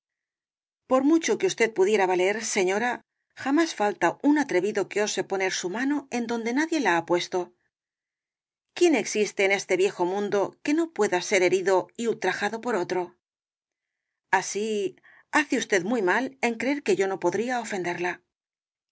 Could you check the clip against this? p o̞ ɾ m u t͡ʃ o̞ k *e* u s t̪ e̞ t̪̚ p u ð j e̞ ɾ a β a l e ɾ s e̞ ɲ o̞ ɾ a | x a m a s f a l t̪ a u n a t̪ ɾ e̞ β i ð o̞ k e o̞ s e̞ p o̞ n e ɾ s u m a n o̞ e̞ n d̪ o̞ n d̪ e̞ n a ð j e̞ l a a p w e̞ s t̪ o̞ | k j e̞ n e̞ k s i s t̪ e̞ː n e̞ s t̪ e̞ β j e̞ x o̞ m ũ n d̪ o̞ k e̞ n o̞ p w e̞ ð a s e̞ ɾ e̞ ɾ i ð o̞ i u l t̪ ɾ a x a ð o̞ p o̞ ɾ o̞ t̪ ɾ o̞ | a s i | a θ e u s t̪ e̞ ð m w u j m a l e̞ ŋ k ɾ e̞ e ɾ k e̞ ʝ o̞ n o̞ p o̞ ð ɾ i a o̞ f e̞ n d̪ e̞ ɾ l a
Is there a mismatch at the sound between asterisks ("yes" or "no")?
no